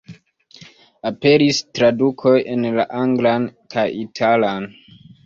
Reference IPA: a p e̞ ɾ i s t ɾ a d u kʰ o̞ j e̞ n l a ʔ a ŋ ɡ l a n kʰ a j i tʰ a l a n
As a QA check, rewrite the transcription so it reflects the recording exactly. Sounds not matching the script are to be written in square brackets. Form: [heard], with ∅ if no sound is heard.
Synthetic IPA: a p e̞ ɾ i s t ɾ a d u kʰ o̞ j e̞ n l a ʔ a ŋ ɡ l a n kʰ a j i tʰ a l a n